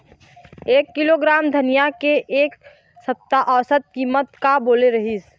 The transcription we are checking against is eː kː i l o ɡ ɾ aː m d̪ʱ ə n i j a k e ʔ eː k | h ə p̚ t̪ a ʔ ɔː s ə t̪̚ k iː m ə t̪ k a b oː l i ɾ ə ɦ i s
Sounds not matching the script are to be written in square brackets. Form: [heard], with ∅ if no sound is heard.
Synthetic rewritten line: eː kː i l o ɡ ɾ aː m d̪ʱ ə n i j a k e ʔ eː k | [s] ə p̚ t̪ a ʔ ɔː s ə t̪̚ k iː m ə t̪ k a b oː l [e] ɾ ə ɦ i s